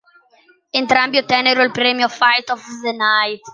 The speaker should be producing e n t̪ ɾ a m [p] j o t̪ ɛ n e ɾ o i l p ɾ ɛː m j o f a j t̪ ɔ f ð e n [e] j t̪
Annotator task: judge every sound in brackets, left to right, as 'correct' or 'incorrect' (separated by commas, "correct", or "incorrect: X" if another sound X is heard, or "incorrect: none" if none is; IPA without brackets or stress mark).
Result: incorrect: b, incorrect: a